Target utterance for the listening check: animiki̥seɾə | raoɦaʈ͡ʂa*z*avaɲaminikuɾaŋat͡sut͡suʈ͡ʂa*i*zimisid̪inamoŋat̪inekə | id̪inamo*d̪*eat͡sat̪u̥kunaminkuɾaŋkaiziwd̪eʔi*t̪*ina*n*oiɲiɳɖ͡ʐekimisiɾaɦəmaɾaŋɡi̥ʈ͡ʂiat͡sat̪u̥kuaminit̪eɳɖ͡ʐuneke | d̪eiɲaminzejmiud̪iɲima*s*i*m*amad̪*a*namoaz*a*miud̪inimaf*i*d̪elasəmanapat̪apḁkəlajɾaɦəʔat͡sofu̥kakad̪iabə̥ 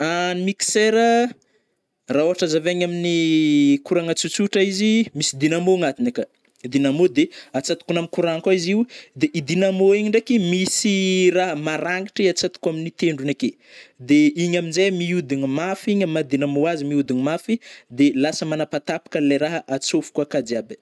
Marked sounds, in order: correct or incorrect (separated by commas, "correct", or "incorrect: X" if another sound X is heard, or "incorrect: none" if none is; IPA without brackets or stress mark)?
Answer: correct, correct, correct, incorrect: d̪, incorrect: m, incorrect: f, incorrect: ɲ, incorrect: i, incorrect: i, correct